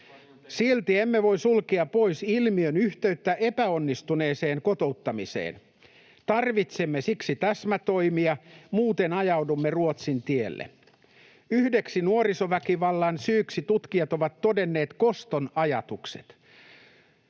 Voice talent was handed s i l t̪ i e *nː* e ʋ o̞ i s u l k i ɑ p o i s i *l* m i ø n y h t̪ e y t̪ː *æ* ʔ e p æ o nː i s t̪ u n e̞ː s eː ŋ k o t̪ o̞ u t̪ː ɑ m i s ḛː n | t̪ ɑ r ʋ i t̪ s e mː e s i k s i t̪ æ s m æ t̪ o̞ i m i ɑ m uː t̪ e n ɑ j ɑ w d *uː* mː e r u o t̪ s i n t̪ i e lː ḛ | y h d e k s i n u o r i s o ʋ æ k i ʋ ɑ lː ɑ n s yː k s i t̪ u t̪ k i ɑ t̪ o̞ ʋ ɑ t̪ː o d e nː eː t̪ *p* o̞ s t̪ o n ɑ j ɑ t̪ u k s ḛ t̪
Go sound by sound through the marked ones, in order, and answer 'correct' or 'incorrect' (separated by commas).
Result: incorrect, correct, correct, incorrect, incorrect